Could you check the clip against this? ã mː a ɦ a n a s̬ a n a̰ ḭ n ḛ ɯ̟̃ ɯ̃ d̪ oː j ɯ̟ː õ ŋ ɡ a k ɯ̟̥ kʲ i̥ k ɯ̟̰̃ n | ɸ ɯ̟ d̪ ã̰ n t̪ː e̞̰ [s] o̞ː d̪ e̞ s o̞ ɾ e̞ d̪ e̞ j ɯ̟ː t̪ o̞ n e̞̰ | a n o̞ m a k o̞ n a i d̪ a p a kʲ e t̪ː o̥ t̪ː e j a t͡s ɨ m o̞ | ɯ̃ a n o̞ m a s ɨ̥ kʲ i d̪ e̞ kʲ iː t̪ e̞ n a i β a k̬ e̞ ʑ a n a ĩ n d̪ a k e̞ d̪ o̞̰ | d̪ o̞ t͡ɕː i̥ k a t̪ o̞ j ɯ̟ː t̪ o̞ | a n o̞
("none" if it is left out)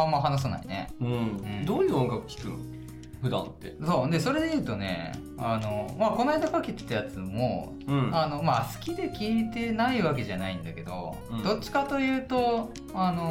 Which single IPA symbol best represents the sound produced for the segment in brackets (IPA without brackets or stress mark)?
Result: s